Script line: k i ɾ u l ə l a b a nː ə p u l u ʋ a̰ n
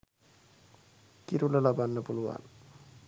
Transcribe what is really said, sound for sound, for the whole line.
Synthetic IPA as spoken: k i ɾ u l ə l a b a nː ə p u l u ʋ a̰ n